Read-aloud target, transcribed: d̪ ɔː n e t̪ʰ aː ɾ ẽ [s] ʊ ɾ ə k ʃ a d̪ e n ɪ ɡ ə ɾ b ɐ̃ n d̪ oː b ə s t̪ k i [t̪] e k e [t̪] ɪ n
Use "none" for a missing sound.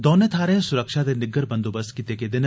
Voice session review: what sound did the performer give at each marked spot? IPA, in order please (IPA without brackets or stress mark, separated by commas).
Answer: s, t̪, d̪